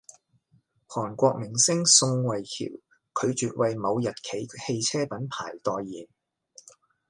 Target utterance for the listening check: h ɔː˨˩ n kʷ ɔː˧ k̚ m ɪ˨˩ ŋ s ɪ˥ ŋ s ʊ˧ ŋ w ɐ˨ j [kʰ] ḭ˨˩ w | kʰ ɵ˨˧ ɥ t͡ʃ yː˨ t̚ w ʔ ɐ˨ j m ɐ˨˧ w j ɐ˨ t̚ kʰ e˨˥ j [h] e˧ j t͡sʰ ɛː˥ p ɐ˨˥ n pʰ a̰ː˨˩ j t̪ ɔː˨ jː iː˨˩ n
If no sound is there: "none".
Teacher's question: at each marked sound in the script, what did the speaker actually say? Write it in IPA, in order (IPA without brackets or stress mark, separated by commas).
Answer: kʰ, h